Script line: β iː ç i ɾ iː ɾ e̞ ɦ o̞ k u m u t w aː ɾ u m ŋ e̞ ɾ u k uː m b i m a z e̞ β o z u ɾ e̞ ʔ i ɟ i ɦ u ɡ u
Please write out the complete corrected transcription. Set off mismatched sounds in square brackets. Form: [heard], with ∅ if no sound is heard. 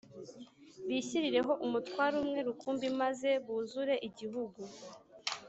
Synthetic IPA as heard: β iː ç i ɾ [i] ɾ e̞ ɦ o̞ [ʔ] u m u t w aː ɾ u m ŋ e̞ ɾ u k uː m b i m a z e̞ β [u] z u ɾ e̞ ʔ i ɟ i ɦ u ɡ u